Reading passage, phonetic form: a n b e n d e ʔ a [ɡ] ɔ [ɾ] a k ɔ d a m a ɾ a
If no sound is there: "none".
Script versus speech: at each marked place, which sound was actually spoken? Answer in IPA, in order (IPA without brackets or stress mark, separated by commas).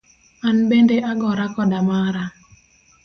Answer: ɡ, ɾ